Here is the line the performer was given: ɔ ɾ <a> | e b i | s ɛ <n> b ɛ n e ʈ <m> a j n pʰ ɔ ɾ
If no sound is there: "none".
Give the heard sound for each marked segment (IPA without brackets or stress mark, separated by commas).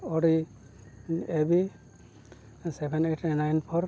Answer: i, none, n